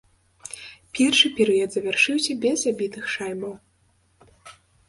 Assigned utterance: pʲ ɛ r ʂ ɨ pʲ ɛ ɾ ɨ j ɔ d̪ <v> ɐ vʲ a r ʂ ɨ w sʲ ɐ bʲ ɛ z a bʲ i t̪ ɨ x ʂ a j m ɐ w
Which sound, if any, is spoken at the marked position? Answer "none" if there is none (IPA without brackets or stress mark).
z